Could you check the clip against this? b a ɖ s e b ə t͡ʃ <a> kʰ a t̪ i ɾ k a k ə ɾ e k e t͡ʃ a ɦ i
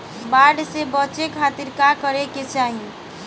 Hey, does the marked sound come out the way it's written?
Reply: no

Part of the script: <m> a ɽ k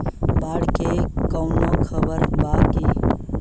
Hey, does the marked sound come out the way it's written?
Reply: no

